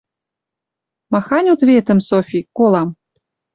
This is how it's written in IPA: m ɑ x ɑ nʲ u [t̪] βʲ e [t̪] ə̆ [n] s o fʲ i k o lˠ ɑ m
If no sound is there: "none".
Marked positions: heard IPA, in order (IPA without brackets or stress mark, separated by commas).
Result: t̪, t̪, m